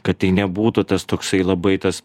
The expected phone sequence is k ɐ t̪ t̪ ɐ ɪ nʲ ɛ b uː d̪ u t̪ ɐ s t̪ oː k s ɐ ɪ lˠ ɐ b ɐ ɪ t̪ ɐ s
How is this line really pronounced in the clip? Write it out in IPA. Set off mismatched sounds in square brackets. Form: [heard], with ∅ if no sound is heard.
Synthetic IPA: k ɐ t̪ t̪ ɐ ɪ nʲ ɛ b uː [t̪] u t̪ ɐ s t̪ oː k s ɐ ɪ lˠ ɐ b ɐ ɪ t̪ ɐ s